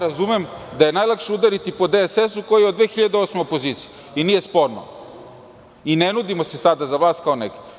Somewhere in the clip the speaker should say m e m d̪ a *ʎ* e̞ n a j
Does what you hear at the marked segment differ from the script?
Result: yes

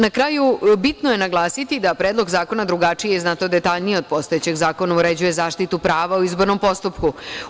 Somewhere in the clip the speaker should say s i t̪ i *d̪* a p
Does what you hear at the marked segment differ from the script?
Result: no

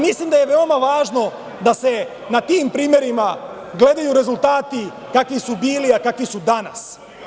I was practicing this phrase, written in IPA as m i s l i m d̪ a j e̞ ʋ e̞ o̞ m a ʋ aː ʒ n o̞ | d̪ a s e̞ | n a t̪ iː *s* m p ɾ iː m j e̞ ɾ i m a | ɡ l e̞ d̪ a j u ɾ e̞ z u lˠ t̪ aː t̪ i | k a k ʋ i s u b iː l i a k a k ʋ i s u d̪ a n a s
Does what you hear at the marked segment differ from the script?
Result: yes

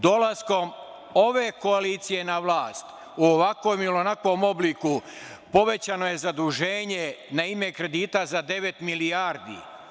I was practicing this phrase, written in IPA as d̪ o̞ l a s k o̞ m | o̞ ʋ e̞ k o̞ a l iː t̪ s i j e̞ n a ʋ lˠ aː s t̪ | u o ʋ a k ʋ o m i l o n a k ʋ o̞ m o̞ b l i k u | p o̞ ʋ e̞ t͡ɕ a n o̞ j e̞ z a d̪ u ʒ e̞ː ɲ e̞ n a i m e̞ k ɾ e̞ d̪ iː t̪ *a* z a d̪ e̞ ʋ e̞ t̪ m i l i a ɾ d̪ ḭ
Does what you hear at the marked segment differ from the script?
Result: no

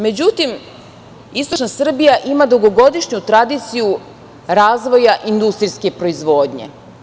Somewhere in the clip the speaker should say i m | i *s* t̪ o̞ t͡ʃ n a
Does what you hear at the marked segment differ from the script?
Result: no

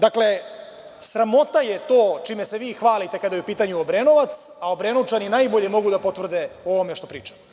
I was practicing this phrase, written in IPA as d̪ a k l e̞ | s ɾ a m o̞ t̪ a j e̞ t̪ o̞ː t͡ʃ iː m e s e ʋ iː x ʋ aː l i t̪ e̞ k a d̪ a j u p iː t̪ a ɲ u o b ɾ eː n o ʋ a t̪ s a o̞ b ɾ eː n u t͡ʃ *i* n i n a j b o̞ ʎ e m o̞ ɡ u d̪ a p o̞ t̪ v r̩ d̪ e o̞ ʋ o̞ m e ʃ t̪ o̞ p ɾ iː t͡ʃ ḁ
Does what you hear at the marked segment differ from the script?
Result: yes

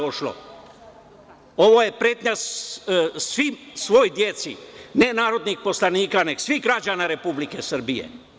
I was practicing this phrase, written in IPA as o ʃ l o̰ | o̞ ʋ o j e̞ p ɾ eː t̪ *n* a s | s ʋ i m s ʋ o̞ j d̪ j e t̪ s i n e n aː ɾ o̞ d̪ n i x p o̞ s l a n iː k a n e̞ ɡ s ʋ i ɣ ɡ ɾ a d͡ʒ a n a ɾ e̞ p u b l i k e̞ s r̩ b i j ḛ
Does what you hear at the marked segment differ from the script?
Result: yes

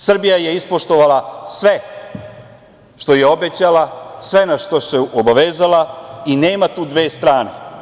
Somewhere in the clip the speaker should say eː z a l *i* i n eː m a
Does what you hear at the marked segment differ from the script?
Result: yes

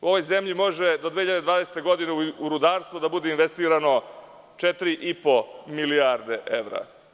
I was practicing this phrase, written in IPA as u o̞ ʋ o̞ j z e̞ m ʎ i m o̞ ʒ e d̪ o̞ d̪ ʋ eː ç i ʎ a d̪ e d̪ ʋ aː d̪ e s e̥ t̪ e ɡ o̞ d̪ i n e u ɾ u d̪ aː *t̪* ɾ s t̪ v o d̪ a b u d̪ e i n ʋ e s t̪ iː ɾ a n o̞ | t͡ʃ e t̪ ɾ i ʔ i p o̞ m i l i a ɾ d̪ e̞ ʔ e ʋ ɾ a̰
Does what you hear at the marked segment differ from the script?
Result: yes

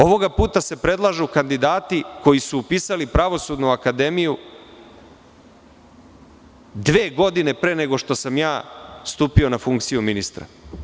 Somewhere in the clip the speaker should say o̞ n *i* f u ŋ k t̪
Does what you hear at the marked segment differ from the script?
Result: yes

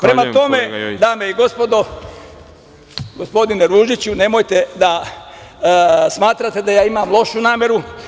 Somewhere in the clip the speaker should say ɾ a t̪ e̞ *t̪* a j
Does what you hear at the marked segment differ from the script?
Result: yes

